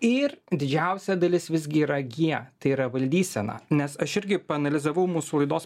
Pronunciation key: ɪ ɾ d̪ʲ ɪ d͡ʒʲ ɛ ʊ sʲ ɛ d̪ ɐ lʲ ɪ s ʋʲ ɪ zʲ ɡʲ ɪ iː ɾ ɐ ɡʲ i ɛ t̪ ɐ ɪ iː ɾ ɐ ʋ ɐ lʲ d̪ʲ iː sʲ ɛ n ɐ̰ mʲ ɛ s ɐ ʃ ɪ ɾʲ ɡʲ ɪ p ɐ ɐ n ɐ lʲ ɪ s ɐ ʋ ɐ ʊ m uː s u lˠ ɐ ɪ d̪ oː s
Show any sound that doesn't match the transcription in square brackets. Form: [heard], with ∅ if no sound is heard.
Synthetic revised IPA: ɪ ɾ d̪ʲ ɪ d͡ʒʲ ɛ ʊ sʲ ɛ d̪ ɐ lʲ ɪ s ʋʲ ɪ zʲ ɡʲ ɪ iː ɾ ɐ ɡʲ i ɛ t̪ ɐ ɪ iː ɾ ɐ ʋ ɐ lʲ d̪ʲ iː sʲ ɛ n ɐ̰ [nʲ] ɛ s ɐ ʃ ɪ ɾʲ ɡʲ ɪ p ɐ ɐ n ɐ lʲ ɪ [z] ɐ ʋ ɐ ʊ m uː s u lˠ ɐ ɪ d̪ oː s